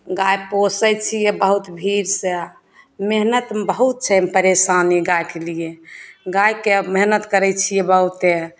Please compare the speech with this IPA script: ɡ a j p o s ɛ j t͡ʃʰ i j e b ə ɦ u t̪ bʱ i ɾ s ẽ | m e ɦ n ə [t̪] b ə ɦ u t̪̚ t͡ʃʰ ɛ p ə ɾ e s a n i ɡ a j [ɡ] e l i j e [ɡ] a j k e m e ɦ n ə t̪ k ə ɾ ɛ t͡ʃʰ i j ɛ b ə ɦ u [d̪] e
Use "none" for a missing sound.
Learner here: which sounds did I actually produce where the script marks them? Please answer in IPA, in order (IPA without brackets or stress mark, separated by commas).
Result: t̪, k, ɡ, t̪